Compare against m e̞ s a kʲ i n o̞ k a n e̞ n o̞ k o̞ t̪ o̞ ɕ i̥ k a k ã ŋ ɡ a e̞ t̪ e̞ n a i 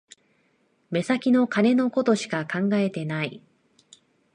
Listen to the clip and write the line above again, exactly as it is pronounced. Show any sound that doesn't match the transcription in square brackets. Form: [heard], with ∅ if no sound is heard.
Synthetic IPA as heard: m e̞ s a kʲ i n o̞ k a n e̞ n o̞ k o̞ t̪ o̞ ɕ i̥ k a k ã ŋ ɡ a e̞ t̪ e̞ n a i